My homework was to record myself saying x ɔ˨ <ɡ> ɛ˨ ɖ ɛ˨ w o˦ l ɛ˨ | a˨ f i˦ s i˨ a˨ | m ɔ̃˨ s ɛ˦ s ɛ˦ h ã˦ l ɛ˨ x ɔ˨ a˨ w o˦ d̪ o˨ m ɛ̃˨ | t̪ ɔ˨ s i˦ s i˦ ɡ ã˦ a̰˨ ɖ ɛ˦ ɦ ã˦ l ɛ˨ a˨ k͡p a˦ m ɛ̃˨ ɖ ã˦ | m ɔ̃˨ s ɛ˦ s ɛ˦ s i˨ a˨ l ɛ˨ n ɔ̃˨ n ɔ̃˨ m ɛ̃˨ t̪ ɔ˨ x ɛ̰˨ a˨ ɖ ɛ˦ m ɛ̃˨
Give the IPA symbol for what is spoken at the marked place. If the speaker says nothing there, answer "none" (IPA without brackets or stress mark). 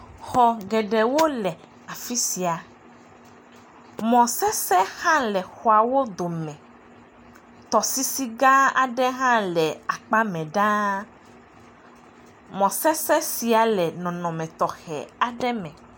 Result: ɡ